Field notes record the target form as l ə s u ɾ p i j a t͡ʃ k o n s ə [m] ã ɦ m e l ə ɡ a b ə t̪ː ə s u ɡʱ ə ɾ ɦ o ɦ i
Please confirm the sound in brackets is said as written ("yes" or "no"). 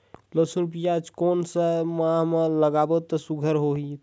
yes